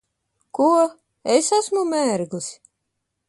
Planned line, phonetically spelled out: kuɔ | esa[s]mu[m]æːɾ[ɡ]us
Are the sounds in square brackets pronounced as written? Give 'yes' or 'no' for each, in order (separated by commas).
yes, yes, yes